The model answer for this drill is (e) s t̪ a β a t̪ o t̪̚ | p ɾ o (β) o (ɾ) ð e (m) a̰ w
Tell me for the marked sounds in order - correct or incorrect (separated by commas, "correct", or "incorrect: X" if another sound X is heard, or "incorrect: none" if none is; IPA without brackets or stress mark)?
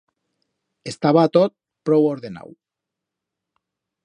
correct, incorrect: w, correct, incorrect: n